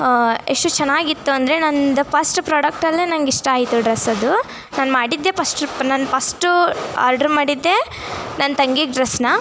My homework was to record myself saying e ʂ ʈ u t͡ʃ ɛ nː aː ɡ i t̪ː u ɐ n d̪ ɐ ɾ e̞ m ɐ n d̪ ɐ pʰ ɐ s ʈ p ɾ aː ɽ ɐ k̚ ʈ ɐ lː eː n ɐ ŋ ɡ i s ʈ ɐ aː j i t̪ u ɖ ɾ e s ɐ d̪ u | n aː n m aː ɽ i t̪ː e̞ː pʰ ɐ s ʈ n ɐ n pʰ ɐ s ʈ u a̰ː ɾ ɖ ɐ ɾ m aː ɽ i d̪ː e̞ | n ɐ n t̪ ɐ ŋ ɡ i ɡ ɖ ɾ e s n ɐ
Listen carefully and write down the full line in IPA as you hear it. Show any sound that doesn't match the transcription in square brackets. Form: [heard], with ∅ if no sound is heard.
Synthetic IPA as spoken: e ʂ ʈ u t͡ʃ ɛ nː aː ɡ i t̪ː u ɐ n d̪ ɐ ɾ e̞ [n] ɐ n d̪ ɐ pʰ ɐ s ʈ p ɾ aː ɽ ɐ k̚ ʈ ɐ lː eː n ɐ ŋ ɡ i [ʂ] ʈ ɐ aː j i t̪ u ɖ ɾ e s ɐ d̪ u | n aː n m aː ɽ i [d̪ː] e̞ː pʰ ɐ s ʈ n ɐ n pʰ ɐ s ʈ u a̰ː ɾ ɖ ɐ ɾ m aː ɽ i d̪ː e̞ | n ɐ n t̪ ɐ ŋ ɡ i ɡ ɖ ɾ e s n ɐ